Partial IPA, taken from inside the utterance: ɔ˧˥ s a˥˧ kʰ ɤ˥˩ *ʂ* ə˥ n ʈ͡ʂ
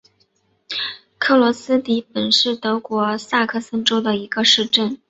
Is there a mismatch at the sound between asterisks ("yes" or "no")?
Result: yes